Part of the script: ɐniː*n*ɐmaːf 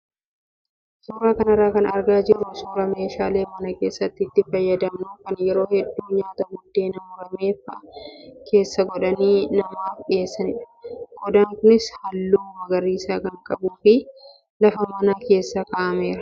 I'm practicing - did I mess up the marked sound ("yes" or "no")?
no